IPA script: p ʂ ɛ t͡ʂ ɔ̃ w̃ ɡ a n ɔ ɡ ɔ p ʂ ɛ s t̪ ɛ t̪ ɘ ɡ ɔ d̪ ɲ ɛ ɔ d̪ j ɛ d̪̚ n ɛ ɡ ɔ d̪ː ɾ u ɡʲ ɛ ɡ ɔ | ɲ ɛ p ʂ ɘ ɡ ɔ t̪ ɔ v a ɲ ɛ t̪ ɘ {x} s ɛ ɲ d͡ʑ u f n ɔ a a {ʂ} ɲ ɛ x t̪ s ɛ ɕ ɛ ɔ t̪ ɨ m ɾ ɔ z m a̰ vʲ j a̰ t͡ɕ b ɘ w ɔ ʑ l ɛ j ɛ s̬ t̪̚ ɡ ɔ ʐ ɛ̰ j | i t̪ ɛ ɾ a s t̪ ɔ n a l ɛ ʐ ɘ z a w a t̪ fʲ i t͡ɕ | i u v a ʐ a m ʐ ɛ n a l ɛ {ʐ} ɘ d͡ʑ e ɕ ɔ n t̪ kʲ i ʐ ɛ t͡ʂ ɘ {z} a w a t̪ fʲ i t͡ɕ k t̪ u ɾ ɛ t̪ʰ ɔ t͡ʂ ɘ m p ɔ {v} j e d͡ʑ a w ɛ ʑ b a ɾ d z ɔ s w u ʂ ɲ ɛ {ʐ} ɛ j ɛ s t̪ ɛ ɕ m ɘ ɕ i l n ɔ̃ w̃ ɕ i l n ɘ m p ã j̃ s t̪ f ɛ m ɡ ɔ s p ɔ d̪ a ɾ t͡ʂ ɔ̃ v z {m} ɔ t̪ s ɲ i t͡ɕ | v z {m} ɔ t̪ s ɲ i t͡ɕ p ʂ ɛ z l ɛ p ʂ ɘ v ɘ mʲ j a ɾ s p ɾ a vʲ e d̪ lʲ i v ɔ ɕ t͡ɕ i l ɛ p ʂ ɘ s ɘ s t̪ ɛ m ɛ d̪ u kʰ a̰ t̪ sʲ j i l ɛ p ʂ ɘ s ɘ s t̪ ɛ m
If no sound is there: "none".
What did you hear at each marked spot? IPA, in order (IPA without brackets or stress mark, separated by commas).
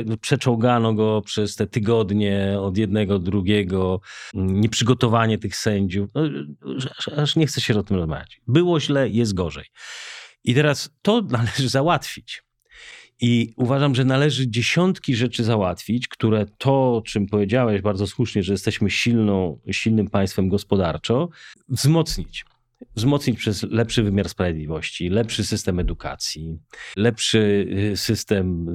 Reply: x, ʂ, ʐ, z, v, ʐ, m, m